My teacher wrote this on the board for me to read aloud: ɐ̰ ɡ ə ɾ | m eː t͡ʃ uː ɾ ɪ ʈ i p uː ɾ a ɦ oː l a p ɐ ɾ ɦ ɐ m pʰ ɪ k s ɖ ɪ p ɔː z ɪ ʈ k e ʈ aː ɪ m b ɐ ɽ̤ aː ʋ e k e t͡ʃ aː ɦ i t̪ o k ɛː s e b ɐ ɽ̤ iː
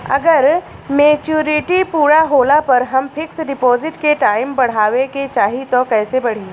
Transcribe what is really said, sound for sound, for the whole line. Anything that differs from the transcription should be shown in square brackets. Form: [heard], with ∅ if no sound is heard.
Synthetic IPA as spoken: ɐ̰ ɡ ə ɾ | m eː t͡ʃ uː ɾ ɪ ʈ i p uː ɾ a ɦ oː l a p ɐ ɾ ɦ ɐ m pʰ ɪ k s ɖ ɪ p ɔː z ɪ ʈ k e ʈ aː ɪ m b ɐ ɽ̤ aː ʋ e k e t͡ʃ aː ɦ i t̪ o k ɛː s e b ɐ ɽ̤ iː

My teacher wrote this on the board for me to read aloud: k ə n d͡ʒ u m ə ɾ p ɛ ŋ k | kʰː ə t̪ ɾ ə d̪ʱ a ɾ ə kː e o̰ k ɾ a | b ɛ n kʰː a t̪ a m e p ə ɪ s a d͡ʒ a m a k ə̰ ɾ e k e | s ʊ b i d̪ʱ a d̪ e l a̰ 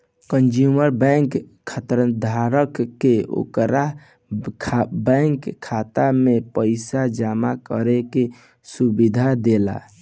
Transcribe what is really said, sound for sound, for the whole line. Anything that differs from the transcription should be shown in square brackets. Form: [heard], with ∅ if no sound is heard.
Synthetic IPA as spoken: k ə n d͡ʒ u m ə ɾ [b] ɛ ŋ k | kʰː ə t̪ ɾ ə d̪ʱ a ɾ ə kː e o̰ k ɾ a | b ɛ [ŋ] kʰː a t̪ a m e p ə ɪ s a d͡ʒ a m a k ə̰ ɾ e k e | s [u] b i d̪ʱ a d̪ e l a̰

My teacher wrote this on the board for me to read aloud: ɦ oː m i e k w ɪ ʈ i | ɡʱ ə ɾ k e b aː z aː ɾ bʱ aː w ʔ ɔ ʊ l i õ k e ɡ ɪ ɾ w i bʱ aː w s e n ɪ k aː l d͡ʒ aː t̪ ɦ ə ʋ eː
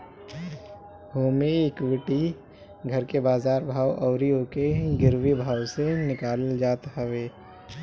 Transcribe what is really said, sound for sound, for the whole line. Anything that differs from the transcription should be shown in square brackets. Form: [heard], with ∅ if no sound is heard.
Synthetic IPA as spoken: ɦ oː m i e k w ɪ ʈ i | ɡʱ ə ɾ k e b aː z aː ɾ bʱ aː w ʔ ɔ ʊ [ɾ] i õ k e ɡ ɪ ɾ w i bʱ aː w s e n ɪ k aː l d͡ʒ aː t̪ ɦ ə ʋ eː

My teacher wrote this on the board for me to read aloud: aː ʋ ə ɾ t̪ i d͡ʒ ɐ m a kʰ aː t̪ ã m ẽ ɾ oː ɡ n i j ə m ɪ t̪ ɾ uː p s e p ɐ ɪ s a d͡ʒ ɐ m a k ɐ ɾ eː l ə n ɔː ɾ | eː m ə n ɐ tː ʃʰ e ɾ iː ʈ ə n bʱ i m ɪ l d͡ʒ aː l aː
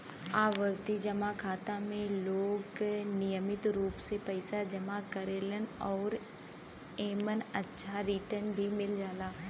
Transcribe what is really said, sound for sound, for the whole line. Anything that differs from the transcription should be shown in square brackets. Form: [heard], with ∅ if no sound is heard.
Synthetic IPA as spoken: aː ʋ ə ɾ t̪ i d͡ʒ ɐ m a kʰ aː t̪ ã m ẽ [l] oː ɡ n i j ə m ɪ t̪ ɾ uː p s e p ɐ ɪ s a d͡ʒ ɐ m a k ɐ ɾ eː l ə n ɔː ɾ | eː m ə n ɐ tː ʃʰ [a] ɾ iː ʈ ə n bʱ i m ɪ l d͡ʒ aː l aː

